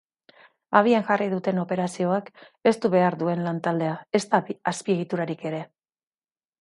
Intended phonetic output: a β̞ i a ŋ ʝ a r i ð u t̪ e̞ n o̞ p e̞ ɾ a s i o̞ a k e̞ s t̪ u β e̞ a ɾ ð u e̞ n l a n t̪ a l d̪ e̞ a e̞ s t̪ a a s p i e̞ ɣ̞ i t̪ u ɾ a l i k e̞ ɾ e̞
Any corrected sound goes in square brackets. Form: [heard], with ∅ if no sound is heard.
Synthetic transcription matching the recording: a β̞ i a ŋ ʝ a r i ð u t̪ e̞ n o̞ p e̞ ɾ a s i o̞ a k e̞ s t̪ u β e̞ a ɾ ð u e̞ n l a n t̪ a l d̪ e̞ a e̞ s t̪ a a s p i e̞ ɣ̞ i t̪ u ɾ a [ɾ] i k e̞ ɾ e̞

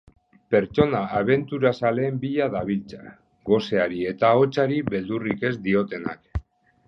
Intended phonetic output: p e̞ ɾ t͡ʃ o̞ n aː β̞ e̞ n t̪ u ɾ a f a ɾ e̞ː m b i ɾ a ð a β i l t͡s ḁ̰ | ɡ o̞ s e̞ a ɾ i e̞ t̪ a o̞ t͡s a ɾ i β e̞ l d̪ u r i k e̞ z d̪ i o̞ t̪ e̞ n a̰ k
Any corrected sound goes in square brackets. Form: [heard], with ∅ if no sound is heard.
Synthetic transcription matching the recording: p e̞ ɾ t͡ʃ o̞ n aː β̞ e̞ n t̪ u ɾ a [s] a [l] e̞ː m b i [ʎ] a ð a β i l t͡s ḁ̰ | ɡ o̞ s e̞ a ɾ i e̞ t̪ a o̞ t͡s a ɾ i β e̞ l d̪ u r i k e̞ z d̪ i o̞ t̪ e̞ n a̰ k

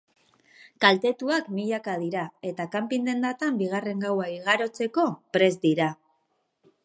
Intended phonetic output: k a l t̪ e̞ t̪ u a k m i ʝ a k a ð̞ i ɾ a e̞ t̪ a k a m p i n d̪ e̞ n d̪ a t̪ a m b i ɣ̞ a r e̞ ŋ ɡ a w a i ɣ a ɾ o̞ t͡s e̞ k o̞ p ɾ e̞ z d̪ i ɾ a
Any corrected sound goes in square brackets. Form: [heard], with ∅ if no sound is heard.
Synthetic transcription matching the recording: k a l t̪ e̞ t̪ u a k m i [ʎ] a k a ð̞ i ɾ a e̞ t̪ a k a m p i n d̪ e̞ n d̪ a t̪ a m b i ɣ̞ a r e̞ ŋ ɡ a w a i ɣ a ɾ o̞ t͡s e̞ k o̞ p ɾ e̞ z d̪ i ɾ a

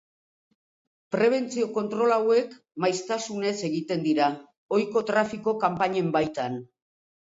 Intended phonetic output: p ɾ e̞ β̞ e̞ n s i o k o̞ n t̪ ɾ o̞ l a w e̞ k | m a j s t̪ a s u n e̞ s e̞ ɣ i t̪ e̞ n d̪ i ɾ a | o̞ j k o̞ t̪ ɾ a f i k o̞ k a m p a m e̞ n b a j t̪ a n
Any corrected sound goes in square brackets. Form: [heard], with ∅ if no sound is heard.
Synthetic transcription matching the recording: p ɾ e̞ β̞ e̞ n [t͡s] i o k o̞ n t̪ ɾ o̞ l a w e̞ k | m a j s t̪ a s u n e̞ s e̞ ɣ i t̪ e̞ n d̪ i ɾ a | o̞ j k o̞ t̪ ɾ a f i k o̞ k a m p a [ɲ] e̞ [m] b a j t̪ a n

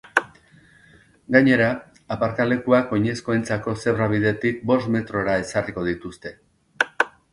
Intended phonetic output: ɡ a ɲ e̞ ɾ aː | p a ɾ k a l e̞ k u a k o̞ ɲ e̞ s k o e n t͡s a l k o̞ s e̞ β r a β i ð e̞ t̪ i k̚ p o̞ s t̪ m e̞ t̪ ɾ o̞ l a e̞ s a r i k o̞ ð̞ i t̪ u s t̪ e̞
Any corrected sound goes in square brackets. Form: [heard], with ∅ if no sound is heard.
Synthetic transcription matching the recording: ɡ a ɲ e̞ ɾ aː | p a ɾ k a l e̞ k u a k o̞ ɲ e̞ s k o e n t͡s a [∅] k o̞ s e̞ β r a β i ð e̞ t̪ i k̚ [b] o̞ s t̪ m e̞ t̪ ɾ o̞ [ɾ] a e̞ s a r i k o̞ ð̞ i t̪ u s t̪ e̞

